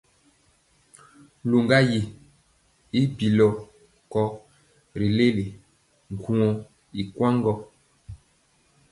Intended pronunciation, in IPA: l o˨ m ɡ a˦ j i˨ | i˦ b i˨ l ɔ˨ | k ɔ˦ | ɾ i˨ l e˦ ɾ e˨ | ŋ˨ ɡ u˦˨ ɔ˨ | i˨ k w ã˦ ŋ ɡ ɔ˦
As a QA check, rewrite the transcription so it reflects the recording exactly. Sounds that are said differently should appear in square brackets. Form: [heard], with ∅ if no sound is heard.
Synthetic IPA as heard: l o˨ [ŋ] ɡ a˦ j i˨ | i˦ b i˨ l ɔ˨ | k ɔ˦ | ɾ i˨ l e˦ [l] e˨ | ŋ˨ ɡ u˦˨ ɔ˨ | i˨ k w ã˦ ŋ ɡ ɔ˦